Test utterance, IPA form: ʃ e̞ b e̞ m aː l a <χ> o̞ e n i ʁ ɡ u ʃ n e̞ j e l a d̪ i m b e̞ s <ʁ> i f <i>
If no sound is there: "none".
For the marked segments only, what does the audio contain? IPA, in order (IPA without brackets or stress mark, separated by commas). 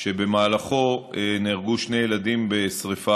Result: χ, ʁ, a